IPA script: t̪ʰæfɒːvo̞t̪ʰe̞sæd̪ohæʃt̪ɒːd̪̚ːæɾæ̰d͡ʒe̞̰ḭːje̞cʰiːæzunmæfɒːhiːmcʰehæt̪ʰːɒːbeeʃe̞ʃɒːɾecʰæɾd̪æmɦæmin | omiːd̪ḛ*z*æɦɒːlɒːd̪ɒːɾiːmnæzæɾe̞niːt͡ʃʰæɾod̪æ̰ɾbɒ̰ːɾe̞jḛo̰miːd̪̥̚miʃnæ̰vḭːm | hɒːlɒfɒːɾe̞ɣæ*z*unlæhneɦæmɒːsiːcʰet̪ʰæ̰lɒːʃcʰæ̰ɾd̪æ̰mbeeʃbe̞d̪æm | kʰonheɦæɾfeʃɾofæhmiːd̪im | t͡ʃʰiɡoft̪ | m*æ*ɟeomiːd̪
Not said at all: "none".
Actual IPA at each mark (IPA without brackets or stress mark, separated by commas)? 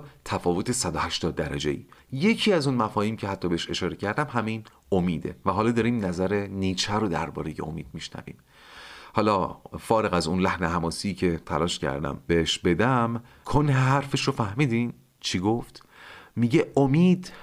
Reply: v, z, i